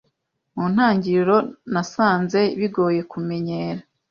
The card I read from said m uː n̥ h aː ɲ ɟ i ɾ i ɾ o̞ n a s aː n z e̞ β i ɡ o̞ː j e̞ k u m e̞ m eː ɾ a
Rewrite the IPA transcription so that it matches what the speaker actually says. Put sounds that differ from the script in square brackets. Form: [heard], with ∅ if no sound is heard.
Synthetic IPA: m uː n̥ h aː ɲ ɟ i ɾ i ɾ o̞ n a s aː n z e̞ β i ɡ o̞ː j e̞ k u m e̞ [ɲ] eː ɾ a